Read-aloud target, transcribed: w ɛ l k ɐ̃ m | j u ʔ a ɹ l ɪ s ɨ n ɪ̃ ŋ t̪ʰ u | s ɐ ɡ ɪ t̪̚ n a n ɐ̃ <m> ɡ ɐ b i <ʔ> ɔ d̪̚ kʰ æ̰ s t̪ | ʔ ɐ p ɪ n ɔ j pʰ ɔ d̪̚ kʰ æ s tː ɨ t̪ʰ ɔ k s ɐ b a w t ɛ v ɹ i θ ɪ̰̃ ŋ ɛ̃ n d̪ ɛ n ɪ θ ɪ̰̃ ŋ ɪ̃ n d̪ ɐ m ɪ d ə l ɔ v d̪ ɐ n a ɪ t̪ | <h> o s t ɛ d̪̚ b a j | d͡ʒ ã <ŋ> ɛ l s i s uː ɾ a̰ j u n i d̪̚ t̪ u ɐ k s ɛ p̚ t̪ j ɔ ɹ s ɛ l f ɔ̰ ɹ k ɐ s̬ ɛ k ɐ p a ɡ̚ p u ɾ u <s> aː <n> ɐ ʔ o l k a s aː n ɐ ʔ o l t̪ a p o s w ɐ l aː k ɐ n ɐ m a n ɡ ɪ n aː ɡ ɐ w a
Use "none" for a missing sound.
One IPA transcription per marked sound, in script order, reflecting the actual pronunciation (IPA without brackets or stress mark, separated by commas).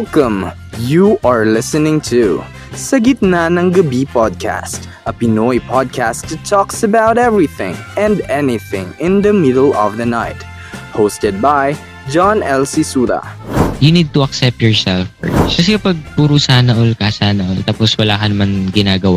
ŋ, p, h, n, s, n